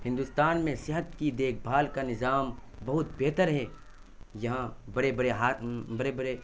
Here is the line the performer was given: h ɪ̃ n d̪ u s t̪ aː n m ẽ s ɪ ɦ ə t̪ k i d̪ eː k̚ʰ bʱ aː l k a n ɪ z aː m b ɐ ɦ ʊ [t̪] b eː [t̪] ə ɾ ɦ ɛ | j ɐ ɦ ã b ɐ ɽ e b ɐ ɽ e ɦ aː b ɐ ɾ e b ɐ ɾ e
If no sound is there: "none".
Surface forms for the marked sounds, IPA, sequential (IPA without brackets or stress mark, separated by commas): t̪, t̪